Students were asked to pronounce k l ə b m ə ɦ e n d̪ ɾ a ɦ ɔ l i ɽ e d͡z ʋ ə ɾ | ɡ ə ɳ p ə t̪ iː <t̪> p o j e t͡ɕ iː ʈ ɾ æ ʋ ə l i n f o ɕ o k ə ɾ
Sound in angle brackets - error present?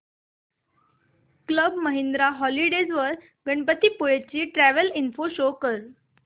yes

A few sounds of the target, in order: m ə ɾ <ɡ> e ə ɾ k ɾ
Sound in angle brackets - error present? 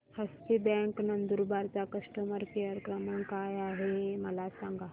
yes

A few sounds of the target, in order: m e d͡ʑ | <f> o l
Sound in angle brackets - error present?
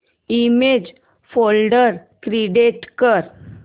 no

